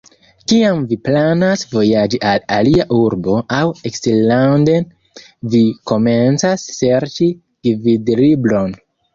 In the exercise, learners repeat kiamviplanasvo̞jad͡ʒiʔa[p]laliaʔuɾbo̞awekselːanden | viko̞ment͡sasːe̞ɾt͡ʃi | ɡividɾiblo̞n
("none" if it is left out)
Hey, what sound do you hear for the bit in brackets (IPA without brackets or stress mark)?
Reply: none